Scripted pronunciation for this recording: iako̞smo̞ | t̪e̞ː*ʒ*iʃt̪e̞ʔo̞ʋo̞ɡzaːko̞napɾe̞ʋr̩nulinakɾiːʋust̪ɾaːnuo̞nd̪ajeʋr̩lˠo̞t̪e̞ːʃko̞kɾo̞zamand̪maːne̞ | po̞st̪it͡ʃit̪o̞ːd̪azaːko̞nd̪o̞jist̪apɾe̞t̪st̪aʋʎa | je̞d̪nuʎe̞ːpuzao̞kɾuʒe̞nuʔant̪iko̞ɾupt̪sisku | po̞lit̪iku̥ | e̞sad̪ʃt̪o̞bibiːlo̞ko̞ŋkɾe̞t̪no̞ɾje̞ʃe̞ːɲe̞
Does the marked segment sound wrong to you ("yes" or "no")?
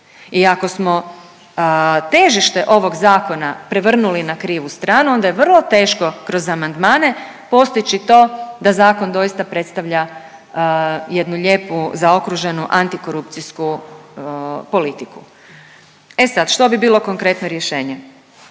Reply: no